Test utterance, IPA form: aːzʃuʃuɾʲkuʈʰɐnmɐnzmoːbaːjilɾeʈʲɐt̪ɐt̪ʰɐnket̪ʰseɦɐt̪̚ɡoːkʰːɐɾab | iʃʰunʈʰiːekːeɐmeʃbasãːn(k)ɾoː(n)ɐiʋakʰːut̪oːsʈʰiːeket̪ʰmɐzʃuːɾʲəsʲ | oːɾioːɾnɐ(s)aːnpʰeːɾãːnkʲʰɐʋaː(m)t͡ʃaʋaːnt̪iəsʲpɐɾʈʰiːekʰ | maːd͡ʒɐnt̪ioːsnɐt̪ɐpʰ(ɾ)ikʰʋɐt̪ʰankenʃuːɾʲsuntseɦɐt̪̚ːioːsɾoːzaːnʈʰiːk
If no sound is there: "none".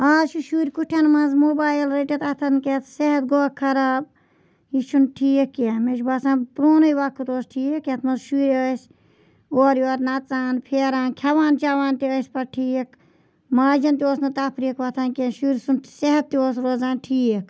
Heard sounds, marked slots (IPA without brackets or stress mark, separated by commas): p, n, t͡s, n, ɾ